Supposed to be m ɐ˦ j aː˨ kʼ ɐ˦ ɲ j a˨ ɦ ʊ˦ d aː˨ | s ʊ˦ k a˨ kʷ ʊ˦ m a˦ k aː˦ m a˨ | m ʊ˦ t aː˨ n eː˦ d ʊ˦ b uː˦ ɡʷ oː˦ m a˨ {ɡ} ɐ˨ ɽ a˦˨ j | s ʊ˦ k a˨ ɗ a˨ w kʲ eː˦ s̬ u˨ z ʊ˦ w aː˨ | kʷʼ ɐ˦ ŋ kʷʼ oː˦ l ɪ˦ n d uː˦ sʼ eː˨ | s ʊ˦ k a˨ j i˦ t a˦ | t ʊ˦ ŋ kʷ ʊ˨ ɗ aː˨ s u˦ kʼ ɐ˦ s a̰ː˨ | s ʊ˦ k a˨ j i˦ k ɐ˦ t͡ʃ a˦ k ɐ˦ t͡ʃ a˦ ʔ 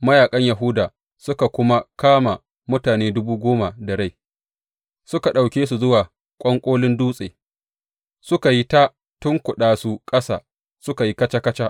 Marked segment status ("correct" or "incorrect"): incorrect